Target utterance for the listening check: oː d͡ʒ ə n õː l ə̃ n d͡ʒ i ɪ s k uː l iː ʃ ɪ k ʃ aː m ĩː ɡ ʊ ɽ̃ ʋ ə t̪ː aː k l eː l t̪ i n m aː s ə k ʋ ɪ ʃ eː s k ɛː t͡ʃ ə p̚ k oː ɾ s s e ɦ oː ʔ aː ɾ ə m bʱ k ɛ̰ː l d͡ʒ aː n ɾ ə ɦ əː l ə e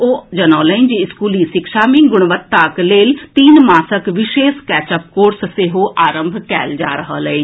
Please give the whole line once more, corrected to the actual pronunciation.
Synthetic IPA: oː d͡ʒ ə n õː l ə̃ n d͡ʒ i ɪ s k uː l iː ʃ ɪ k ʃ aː m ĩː ɡ ʊ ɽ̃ ʋ ə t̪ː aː k l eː l t̪ iː n m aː s ə k ʋ ɪ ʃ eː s k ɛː t͡ʃ ə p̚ k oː ɾ s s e ɦ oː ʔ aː ɾ ə m bʱ k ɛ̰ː l d͡ʒ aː ɾ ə ɦ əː l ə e